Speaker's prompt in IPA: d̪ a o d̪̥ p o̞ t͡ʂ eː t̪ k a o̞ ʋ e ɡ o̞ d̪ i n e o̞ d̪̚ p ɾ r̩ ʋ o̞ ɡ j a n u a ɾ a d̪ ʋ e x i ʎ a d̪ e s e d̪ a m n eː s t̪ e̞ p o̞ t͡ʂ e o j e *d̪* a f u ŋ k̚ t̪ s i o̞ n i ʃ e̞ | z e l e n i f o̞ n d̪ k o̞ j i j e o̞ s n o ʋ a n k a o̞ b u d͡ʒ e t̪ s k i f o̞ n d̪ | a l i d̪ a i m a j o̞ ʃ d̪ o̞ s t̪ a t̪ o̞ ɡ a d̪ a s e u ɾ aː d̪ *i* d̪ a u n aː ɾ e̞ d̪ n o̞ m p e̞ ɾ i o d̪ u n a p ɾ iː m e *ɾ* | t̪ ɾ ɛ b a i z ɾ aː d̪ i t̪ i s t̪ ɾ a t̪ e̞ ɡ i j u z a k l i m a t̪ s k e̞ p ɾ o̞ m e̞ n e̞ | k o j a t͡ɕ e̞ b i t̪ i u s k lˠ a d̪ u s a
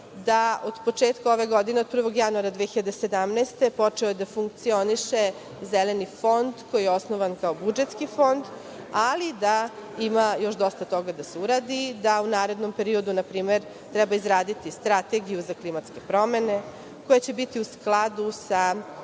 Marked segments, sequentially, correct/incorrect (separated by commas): correct, correct, correct